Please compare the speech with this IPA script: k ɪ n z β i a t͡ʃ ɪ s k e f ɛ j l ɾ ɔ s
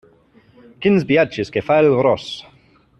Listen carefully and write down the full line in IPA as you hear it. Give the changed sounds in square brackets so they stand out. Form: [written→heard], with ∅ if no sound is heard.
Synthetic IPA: k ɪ n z [β→b] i a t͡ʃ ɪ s k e f [ɛ→a] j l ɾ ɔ s